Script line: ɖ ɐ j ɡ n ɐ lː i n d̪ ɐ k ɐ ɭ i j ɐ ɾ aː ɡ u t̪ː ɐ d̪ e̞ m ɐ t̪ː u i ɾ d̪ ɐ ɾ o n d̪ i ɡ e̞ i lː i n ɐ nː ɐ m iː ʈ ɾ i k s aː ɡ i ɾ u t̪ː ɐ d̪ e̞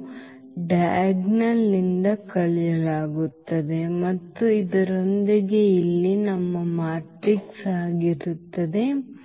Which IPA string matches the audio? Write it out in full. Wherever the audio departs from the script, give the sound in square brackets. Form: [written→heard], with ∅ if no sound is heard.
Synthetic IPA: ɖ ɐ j ɡ n ɐ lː i n d̪ ɐ k ɐ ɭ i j ɐ [ɾ→l] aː ɡ u t̪ː ɐ d̪ e̞ m ɐ t̪ː u i [ɾ→∅] d̪ ɐ ɾ o n d̪ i ɡ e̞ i lː i n ɐ [nː→mː] ɐ m [iː→aː] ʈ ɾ i k s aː ɡ i ɾ u t̪ː ɐ d̪ e̞